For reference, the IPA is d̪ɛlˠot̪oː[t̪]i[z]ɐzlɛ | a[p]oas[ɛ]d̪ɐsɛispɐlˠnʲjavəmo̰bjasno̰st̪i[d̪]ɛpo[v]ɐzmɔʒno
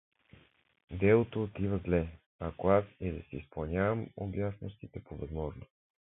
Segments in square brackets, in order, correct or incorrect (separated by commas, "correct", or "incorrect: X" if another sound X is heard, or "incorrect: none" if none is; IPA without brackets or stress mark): correct, incorrect: v, incorrect: k, correct, incorrect: t̪, correct